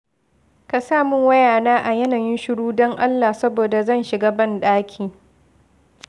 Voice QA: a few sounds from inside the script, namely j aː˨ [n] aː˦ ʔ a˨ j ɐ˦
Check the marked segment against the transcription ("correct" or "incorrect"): correct